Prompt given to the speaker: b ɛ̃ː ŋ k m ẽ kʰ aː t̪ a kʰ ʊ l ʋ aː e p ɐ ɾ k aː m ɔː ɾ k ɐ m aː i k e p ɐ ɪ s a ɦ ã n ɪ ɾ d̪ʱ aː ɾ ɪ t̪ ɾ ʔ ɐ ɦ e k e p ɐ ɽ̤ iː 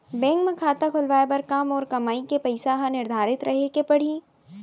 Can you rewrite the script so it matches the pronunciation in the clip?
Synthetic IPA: b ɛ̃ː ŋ k m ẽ kʰ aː t̪ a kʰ ʊ l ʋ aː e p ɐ ɾ k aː m ɔː ɾ k ɐ m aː i k e p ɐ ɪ s a ɦ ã n ɪ ɾ d̪ʱ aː ɾ ɪ t̪ ɾ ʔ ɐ ɦ e k e p ɐ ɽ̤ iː